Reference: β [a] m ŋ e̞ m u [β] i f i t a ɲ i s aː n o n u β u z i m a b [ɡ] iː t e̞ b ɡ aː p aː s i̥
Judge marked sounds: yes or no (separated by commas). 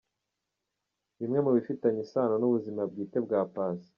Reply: no, yes, yes